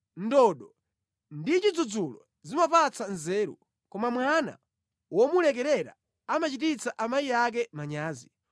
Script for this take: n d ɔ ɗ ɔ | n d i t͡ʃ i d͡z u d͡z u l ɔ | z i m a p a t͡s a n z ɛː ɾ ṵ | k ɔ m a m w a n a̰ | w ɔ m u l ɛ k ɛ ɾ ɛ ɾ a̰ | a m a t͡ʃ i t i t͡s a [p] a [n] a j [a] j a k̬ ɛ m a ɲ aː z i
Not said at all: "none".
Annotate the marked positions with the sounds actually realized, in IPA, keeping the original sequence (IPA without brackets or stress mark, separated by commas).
ʔ, m, i